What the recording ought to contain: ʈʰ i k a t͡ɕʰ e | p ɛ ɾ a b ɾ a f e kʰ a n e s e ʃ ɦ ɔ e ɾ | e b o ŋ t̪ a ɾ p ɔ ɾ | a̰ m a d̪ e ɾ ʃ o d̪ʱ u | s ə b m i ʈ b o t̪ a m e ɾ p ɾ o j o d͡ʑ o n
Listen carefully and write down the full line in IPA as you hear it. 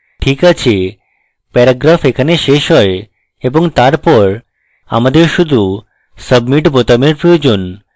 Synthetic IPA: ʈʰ i k a t͡ɕʰ e | p ɛ ɾ a ɡ ɾ a f e kʰ a n e ʃ e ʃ ɦ ɔ e | e b o ŋ t̪ a ɾ p ɔ ɾ | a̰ m a d̪ e ɾ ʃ u d̪ʱ u | s ə b m i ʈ b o t̪ a m e ɾ p ɾ o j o d͡ʑ o n